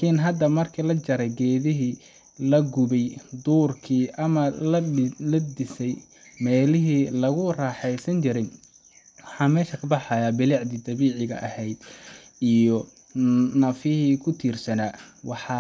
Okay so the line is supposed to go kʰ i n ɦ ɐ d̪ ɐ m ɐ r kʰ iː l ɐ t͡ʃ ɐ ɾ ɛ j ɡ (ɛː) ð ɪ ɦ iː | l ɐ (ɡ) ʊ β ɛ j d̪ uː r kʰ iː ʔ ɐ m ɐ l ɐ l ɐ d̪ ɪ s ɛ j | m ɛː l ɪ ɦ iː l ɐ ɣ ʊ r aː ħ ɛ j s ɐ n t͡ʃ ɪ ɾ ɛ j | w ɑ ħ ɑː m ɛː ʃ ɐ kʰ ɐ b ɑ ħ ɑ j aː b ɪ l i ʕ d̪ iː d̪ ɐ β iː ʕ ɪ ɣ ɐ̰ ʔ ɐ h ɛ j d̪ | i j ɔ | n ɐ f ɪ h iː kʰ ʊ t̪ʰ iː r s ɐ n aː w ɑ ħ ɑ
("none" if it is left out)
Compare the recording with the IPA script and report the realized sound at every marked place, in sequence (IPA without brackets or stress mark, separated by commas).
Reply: ɛː, ɡ